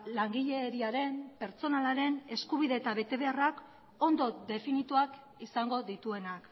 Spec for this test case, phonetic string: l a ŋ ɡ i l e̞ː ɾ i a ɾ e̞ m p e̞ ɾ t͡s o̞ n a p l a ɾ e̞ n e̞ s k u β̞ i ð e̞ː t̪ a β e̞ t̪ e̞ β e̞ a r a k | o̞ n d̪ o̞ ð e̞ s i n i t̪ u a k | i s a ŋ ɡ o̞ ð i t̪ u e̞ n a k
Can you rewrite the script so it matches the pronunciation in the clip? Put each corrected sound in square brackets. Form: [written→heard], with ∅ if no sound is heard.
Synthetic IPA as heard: l a ŋ ɡ i [l→ʎ] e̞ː ɾ i a ɾ e̞ m p e̞ ɾ t͡s o̞ n a [p→∅] l a ɾ e̞ n e̞ s k u β̞ i ð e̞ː t̪ a β e̞ t̪ e̞ β e̞ a r a k | o̞ n d̪ o̞ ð e̞ [s→f] i n i t̪ u a k | i s a ŋ ɡ o̞ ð i t̪ u e̞ n a k